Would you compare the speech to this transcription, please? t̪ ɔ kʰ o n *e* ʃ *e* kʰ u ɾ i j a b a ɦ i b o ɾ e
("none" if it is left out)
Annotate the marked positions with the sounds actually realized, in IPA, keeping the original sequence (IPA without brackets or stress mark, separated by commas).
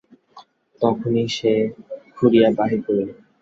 i, e